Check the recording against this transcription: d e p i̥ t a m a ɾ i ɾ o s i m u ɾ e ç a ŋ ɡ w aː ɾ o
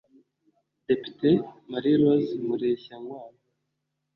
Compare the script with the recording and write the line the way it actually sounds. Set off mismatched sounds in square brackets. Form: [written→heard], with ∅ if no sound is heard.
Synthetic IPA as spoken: d e p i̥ t [a→e] m a ɾ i ɾ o [s→z] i m u ɾ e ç a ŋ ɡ w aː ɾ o